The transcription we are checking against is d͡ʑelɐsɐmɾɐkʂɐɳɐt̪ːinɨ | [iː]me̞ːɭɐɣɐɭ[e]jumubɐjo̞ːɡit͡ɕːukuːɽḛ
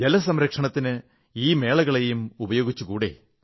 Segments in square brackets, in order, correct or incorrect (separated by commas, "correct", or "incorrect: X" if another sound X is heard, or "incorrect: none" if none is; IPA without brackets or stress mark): correct, correct